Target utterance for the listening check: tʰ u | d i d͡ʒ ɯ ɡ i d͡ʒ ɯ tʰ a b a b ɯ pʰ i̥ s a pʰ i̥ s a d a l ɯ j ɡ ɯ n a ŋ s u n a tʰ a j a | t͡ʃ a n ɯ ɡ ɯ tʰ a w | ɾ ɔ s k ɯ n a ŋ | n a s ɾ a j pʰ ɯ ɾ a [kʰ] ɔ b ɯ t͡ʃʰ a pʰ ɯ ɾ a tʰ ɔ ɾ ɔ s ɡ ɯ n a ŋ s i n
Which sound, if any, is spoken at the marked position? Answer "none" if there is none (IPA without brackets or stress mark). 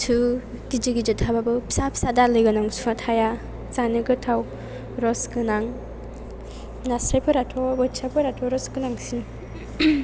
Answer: tʰ